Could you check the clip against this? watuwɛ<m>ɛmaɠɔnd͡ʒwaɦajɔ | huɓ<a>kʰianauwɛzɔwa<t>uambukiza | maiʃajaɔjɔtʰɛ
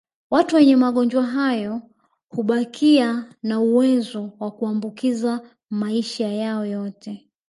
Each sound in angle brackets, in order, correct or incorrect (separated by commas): incorrect, correct, incorrect